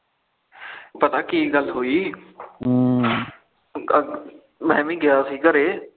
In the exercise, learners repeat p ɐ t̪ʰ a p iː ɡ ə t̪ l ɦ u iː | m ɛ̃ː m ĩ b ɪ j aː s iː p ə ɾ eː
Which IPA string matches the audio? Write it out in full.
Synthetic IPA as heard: p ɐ t̪ a k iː ɡ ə l ɦ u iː | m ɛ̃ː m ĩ ɡ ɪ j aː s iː k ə ɾ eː